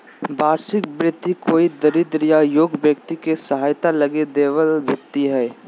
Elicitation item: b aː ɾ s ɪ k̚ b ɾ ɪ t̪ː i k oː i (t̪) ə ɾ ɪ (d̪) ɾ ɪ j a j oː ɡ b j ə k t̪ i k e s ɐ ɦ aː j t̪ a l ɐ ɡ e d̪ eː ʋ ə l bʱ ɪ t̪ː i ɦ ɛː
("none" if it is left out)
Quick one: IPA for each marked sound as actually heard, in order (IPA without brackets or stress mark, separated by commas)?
d̪, d̪